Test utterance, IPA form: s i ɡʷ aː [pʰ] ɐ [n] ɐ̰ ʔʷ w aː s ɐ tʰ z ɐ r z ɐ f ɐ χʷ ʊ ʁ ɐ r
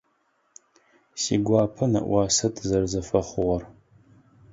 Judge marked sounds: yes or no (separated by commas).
yes, yes